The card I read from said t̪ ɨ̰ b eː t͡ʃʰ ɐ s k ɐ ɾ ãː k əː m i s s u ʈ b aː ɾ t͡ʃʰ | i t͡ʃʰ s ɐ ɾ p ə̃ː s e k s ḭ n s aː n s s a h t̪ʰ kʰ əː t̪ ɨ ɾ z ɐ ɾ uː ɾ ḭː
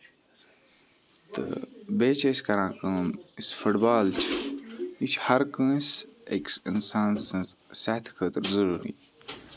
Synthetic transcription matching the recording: t̪ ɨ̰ b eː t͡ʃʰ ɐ s k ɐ ɾ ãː k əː m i s f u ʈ b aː l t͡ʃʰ | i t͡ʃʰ h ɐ ɾ k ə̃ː s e k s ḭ n s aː n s s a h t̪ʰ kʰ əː t̪ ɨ ɾ z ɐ ɾ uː ɾ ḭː